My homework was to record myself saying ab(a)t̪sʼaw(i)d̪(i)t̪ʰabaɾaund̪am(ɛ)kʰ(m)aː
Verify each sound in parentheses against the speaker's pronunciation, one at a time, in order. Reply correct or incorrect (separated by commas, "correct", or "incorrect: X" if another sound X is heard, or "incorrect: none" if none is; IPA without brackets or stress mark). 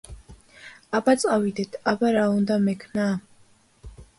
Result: correct, correct, incorrect: ɛ, correct, incorrect: n